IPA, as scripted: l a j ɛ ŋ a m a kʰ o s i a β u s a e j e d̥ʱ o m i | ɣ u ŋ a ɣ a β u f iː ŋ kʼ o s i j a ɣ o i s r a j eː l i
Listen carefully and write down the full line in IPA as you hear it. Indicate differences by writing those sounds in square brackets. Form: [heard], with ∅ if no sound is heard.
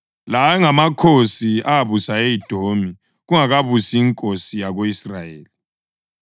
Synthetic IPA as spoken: l a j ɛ ŋ a m a kʰ o s i a β u s a e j [i] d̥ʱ o m i | ɣ u ŋ a ɣ a β u [s] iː ŋ kʼ o s i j a ɣ o i s r a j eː l i